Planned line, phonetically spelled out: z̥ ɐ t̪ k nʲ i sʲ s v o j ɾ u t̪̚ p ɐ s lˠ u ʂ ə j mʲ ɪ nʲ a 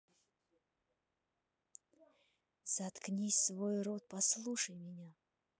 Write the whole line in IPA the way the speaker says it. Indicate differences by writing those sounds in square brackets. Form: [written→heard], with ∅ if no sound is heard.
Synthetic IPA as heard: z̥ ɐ t̪ k nʲ i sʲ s v o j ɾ [u→o] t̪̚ p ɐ s lˠ u ʂ ə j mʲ ɪ nʲ a